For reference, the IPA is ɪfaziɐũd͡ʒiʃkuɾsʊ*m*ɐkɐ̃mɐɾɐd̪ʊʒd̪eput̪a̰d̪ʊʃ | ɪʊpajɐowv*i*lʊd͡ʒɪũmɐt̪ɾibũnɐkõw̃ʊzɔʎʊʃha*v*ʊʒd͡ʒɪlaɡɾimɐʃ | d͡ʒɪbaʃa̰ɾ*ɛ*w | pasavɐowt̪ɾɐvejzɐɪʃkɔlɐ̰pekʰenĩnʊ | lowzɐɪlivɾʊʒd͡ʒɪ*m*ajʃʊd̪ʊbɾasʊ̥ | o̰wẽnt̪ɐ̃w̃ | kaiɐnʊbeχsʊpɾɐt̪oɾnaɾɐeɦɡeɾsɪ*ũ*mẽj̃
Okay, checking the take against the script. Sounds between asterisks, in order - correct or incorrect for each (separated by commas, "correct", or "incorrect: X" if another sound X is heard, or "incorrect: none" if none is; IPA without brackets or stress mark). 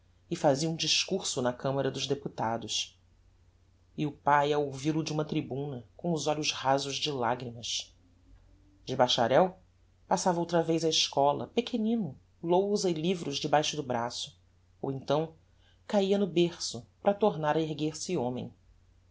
incorrect: n, correct, incorrect: z, correct, incorrect: b, incorrect: õ